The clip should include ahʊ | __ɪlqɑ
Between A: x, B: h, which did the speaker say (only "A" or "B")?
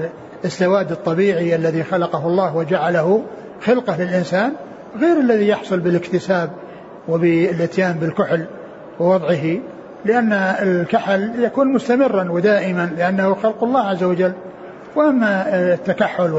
A